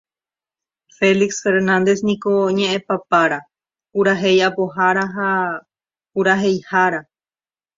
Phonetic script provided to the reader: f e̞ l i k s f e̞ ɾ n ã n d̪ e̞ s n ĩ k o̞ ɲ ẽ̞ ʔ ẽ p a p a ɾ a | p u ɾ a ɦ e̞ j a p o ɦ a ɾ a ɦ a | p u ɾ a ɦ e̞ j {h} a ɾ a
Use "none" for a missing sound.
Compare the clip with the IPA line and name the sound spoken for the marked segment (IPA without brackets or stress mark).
h